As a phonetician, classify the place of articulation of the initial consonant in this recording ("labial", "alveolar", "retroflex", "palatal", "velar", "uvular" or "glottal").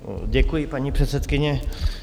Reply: palatal